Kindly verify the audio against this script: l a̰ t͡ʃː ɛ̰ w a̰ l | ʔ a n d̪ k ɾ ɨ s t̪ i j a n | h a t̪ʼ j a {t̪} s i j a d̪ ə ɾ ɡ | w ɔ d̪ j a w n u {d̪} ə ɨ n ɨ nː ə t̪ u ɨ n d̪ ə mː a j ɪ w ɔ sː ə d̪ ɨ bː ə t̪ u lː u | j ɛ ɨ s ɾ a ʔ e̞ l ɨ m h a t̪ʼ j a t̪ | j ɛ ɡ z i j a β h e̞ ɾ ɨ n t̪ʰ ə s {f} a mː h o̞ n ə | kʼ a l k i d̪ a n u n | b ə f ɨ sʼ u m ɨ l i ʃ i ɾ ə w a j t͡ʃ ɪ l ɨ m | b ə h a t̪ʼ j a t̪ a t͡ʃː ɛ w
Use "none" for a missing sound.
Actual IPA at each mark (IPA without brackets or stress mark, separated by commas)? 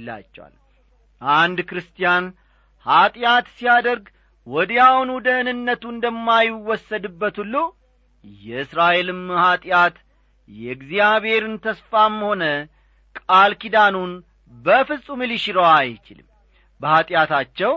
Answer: t̪, d̪, f